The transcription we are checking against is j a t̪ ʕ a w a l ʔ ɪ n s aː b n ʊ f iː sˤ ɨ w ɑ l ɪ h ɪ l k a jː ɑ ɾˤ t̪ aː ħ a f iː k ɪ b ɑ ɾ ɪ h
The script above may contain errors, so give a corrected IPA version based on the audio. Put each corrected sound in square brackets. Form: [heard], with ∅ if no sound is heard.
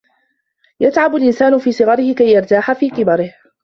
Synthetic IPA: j a t̪ ʕ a [b] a l ʔ ɪ n s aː [∅] n ʊ f iː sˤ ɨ [ɣ] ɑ [ɾ] ɪ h ɪ [∅] k a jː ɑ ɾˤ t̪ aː ħ a f iː k ɪ b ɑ ɾ ɪ h